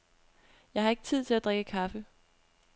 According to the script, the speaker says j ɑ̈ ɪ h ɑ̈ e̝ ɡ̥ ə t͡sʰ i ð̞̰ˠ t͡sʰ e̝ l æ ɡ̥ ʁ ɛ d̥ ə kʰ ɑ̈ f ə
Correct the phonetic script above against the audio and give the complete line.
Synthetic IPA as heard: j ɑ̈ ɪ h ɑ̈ e̝ ɡ̥ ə t͡sʰ i ð̞̰ˠ t͡sʰ e̝ l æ d̥ ʁ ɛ ɡ̥ ə kʰ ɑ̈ f ə